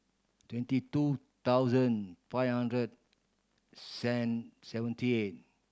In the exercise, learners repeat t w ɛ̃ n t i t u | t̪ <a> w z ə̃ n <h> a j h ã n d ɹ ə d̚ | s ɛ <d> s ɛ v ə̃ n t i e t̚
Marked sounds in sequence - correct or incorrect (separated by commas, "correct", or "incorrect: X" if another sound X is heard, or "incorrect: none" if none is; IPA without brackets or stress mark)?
correct, incorrect: f, incorrect: n